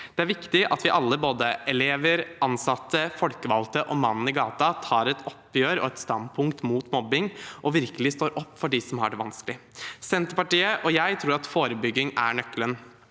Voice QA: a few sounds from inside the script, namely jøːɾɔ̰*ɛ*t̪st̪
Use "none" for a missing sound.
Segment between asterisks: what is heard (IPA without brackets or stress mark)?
ɛ